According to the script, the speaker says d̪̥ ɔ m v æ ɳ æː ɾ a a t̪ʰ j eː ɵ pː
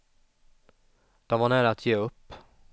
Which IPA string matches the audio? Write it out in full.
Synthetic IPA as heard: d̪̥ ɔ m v a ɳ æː ɾ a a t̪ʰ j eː ɵ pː